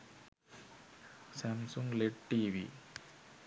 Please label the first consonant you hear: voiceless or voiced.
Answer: voiceless